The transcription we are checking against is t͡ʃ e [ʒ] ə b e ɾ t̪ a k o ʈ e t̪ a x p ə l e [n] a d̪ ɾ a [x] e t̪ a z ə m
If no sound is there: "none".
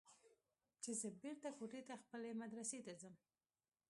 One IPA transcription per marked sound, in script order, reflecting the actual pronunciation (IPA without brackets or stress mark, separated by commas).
z, m, s